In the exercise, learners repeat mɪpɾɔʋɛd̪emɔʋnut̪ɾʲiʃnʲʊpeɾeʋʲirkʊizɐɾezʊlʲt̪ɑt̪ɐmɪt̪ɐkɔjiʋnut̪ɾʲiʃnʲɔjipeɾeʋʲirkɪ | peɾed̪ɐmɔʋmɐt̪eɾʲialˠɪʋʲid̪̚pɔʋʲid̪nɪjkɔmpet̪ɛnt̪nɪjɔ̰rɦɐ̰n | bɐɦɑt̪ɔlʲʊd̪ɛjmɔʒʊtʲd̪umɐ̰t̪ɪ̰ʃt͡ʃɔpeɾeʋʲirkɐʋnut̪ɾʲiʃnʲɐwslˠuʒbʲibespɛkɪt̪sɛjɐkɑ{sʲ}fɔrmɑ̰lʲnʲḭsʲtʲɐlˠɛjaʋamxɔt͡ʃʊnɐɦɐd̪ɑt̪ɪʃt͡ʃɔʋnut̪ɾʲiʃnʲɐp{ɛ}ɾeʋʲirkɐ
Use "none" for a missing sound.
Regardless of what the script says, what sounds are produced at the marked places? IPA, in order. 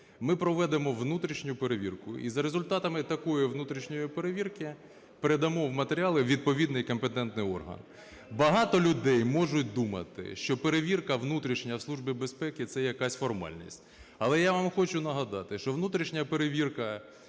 sʲ, e

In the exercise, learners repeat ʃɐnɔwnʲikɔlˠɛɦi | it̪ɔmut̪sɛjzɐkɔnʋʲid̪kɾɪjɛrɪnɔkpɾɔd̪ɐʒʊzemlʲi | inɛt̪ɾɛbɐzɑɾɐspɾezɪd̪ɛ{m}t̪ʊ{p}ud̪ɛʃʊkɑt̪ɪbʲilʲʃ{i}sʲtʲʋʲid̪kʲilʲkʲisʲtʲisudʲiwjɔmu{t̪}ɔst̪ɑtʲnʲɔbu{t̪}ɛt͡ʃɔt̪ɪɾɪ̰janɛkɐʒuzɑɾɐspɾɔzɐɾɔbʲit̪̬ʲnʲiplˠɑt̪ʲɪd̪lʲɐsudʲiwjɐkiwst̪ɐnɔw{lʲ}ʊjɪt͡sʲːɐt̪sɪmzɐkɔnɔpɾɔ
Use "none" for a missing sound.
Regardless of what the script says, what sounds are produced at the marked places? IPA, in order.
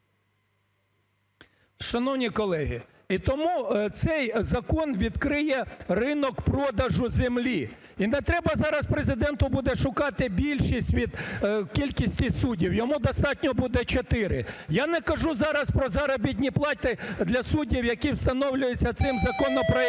n, b, i, d̪, d̪, lʲ

